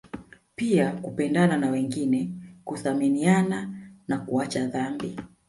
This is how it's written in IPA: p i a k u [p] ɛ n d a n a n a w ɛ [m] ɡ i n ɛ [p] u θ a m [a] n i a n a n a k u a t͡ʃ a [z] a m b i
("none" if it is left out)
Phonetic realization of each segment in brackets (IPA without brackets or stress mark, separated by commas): p, ŋ, k, i, ð